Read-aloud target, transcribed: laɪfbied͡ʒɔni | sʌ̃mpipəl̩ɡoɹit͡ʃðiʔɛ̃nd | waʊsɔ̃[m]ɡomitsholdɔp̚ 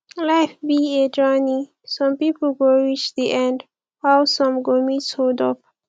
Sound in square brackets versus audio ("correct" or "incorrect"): correct